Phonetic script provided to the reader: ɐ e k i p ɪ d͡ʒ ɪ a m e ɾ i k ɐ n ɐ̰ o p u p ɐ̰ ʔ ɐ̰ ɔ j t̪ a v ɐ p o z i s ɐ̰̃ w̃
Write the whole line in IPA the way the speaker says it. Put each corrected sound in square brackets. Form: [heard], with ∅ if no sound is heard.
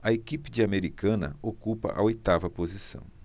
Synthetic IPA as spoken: ɐ e k i p ɪ d͡ʒ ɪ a m e ɾ i k [ɐ̃] n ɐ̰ o [k] u p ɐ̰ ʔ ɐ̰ [o] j t̪ a v ɐ p o z i s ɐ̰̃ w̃